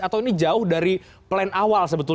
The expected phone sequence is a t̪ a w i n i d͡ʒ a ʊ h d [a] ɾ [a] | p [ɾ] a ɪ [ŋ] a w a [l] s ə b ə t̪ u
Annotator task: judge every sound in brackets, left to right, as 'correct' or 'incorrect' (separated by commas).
correct, incorrect, incorrect, incorrect, correct